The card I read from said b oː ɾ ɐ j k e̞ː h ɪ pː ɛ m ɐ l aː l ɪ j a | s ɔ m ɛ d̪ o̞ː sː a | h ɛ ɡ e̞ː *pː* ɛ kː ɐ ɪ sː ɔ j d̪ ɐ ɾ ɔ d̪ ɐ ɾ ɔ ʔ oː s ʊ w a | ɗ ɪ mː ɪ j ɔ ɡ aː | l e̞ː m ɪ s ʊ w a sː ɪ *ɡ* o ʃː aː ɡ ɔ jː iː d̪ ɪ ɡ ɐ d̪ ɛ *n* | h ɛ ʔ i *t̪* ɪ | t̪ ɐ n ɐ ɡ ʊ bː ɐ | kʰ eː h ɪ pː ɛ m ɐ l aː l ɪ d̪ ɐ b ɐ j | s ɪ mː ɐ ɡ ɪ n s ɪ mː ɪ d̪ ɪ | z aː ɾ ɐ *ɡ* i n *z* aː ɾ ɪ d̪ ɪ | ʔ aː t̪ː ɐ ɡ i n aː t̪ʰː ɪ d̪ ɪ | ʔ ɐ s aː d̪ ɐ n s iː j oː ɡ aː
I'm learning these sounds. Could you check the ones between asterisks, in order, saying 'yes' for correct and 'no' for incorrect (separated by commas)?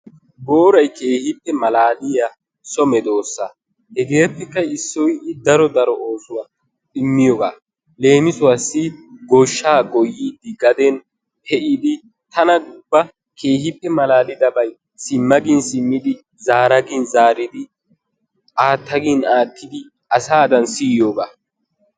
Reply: yes, yes, yes, no, yes, yes